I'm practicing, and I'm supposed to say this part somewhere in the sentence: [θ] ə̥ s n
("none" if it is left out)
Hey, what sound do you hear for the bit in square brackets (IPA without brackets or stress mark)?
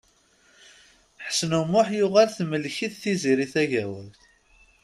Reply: ħ